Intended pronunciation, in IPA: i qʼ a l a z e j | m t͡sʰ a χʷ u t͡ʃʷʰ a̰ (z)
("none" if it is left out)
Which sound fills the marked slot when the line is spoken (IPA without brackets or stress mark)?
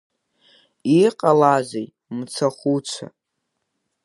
none